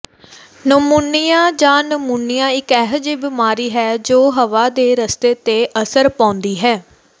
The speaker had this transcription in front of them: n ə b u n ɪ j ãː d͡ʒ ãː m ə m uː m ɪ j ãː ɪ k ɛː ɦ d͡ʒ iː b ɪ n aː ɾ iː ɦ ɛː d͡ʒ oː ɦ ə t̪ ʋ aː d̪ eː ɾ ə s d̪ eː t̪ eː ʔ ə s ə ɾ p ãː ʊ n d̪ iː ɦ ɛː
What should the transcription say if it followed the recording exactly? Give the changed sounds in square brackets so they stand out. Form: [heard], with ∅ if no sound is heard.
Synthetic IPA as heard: n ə [m] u n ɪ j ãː d͡ʒ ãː [n] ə m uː [n] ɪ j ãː ɪ k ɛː ɦ d͡ʒ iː b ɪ [m] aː ɾ iː ɦ ɛː d͡ʒ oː ɦ ə [∅] ʋ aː d̪ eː ɾ ə s [t̪] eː t̪ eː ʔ ə s ə ɾ p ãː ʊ n d̪ iː ɦ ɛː